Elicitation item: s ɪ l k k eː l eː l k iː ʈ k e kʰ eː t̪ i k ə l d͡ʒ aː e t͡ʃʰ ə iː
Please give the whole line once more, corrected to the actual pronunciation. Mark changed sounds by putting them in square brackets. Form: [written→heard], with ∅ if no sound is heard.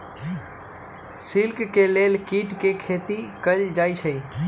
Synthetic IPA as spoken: s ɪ l k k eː l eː l k iː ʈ k e kʰ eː t̪ i k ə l d͡ʒ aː [e→i] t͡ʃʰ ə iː

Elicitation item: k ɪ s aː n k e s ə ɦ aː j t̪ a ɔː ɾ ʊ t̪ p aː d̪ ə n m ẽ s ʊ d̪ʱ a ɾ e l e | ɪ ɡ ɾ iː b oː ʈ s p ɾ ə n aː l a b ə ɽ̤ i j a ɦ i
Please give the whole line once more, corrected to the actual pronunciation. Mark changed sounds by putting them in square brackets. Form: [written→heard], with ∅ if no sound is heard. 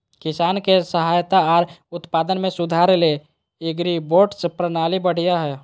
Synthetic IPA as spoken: k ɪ s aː n k e s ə ɦ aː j t̪ a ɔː ɾ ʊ t̪ p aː d̪ ə n m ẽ s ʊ d̪ʱ a ɾ e l e | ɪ ɡ ɾ [iː→i] b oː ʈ s p ɾ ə n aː l [a→i] b ə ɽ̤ i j a ɦ [i→ɛ]

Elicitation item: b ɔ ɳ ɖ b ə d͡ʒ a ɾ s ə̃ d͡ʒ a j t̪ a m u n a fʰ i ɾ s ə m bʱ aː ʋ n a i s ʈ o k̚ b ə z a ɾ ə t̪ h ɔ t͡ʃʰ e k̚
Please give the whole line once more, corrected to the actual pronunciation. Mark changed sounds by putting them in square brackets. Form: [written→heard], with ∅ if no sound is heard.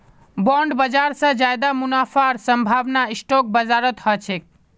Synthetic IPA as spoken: b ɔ ɳ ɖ b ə d͡ʒ a ɾ s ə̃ d͡ʒ a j [t̪→d̪] a m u n a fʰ [i→a] ɾ s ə m bʱ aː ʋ n a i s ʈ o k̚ b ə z a ɾ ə t̪ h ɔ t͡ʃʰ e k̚

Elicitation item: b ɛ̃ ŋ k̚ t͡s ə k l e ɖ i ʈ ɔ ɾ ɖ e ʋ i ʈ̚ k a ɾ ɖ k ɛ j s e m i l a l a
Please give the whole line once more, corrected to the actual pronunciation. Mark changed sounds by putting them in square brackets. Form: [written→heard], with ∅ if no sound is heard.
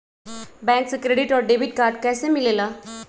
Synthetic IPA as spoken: b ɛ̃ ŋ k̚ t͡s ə k [l→ɾ] e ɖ i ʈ ɔ ɾ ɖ e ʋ i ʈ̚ k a ɾ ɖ k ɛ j s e m i l [a→e] l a

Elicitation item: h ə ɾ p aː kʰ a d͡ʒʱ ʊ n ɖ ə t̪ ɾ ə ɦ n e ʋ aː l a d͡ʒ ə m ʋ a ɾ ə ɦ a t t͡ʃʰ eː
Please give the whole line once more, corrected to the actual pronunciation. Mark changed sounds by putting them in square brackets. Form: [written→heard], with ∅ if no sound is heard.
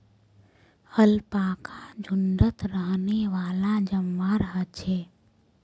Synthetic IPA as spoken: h ə [ɾ→l] p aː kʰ a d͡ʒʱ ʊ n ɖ ə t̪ ɾ ə ɦ n e ʋ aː l a d͡ʒ ə m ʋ a ɾ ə ɦ [a→ə] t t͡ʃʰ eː

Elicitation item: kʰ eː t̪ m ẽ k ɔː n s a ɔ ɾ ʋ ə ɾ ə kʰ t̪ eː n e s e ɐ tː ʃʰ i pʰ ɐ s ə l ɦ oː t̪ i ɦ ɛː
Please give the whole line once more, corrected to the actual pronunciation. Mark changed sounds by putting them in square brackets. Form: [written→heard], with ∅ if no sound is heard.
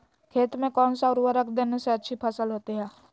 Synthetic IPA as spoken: kʰ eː t̪ m ẽ k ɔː n s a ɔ ɾ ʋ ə ɾ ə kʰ [t̪→d̪] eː n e s e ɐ tː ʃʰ i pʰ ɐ s ə l ɦ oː t̪ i ɦ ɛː

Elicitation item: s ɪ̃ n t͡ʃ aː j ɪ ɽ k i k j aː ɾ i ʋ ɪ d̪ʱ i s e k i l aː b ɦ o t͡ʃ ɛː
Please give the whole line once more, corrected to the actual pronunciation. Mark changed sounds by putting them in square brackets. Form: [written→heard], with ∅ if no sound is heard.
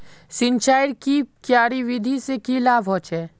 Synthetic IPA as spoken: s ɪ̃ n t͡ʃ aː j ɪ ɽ k i k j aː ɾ i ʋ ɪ d̪ʱ i s e k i l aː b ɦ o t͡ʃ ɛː

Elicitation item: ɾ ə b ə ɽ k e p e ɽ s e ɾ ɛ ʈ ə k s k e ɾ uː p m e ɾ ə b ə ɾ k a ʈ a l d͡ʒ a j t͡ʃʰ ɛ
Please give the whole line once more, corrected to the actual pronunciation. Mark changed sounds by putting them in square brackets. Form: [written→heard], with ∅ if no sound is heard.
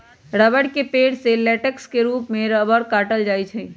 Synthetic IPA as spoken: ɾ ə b ə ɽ k e p e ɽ s e [ɾ→l] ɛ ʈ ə k s k e ɾ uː p m e ɾ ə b ə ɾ k a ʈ [a→ə] l d͡ʒ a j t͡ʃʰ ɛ

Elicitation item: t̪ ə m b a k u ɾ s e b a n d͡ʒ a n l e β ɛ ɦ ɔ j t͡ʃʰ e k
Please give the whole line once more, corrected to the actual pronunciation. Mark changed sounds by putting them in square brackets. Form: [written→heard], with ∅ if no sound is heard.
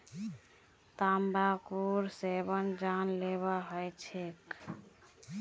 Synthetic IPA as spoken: t̪ [ə→a] m b a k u ɾ s e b [a→ə] n d͡ʒ a n l e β [ɛ→a] ɦ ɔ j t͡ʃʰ e k

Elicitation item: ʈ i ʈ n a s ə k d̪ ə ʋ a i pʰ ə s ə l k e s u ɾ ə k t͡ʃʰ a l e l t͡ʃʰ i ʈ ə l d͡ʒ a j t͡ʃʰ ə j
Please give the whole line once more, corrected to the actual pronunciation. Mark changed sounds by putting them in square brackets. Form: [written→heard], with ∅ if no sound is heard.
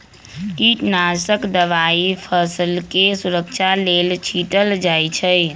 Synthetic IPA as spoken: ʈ i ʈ n a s ə k d̪ ə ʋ a i pʰ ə s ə l k e s u ɾ ə k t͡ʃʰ a l e l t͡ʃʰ i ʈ ə l d͡ʒ a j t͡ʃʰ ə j

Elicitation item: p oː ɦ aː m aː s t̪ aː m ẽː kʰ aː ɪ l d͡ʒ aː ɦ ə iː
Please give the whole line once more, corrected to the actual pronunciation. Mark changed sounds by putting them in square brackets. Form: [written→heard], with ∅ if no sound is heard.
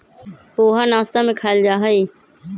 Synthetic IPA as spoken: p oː ɦ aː [m→n] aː s t̪ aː m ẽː kʰ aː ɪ l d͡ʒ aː ɦ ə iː

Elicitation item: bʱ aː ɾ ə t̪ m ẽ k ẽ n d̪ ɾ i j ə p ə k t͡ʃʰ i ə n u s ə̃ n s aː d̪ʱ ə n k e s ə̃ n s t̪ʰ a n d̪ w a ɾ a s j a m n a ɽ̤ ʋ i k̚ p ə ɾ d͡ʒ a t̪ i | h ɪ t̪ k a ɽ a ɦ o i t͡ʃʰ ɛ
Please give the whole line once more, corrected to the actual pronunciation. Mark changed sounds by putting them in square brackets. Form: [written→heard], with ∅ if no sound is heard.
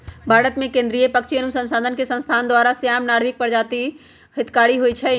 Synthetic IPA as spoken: bʱ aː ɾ ə t̪ m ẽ k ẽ n d̪ ɾ i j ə p ə k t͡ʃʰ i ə n u s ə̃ n s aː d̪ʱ ə n k e s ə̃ n s t̪ʰ a n d̪ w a ɾ a s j a m n a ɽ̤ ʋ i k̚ p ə ɾ d͡ʒ a t̪ i | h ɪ t̪ k a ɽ [a→i] ɦ o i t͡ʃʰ ɛ

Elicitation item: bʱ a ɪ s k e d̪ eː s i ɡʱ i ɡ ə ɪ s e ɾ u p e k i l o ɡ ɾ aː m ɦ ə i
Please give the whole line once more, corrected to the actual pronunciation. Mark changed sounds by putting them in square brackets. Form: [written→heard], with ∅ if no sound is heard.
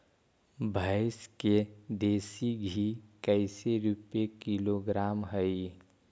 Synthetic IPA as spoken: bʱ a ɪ s k e d̪ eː s i ɡʱ i [ɡ→k] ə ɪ s e ɾ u p e k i l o ɡ ɾ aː m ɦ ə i

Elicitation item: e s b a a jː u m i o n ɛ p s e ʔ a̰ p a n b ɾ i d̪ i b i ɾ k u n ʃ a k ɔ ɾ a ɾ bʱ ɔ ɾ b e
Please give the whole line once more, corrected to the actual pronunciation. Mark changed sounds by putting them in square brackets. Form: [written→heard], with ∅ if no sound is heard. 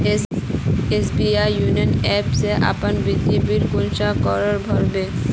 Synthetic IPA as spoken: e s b [a→i] a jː u [m→n] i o n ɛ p s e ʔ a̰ p a n b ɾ i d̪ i b i ɾ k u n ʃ a k ɔ ɾ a ɾ bʱ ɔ ɾ b e

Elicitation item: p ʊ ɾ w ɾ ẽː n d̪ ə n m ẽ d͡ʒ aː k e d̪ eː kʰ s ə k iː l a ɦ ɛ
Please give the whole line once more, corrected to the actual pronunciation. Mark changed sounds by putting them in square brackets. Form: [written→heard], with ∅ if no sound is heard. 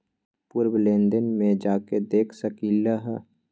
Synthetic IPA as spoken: p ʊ ɾ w [ɾ→l] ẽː n d̪ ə n m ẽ d͡ʒ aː k e d̪ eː kʰ s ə k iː l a ɦ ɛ

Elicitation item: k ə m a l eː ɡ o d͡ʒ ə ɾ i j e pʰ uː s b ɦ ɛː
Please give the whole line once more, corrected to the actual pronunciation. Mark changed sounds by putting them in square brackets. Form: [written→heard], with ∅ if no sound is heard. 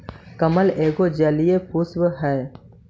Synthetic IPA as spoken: k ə m [a→ə] l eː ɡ o d͡ʒ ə [ɾ→l] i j e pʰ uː s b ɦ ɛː

